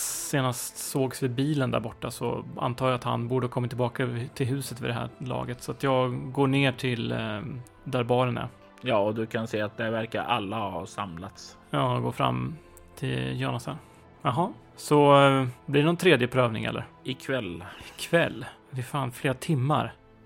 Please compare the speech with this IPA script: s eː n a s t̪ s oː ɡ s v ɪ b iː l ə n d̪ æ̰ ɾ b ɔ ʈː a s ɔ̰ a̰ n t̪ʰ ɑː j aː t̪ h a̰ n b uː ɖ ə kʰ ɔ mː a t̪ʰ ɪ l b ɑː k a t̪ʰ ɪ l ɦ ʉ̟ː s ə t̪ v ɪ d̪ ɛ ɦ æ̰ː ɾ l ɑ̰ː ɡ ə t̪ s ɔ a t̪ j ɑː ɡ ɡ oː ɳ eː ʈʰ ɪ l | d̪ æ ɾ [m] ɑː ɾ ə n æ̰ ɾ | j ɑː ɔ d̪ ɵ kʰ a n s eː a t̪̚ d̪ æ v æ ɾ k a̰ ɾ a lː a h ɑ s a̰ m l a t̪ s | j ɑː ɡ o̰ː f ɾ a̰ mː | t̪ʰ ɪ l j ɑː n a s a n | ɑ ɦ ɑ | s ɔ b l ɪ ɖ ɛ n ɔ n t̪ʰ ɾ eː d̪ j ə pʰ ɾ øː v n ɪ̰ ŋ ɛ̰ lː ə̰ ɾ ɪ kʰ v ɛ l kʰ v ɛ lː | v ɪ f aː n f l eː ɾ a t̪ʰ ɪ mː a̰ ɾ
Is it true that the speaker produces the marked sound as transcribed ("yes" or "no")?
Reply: no